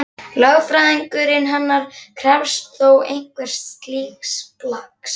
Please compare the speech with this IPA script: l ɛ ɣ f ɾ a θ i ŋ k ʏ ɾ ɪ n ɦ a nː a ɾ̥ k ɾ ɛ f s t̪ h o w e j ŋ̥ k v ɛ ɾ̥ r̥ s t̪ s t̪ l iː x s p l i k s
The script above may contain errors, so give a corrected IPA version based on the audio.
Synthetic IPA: l œ ɣ f ɾ a ð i ŋ k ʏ ɾ ɪ n ɦ a nː a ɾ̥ kʰ ɾ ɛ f s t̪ θ o w e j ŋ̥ k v ɛ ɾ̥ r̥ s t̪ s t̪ l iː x s p l a k s